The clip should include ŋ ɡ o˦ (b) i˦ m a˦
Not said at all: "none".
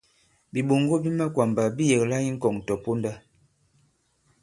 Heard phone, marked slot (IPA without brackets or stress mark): b